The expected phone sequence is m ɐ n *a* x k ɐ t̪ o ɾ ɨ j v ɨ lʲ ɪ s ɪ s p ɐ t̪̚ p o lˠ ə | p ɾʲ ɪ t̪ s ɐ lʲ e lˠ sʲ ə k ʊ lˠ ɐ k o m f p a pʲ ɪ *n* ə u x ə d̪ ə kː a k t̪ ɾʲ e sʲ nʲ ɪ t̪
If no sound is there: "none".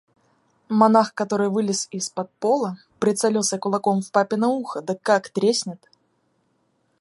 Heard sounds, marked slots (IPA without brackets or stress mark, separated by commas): a, n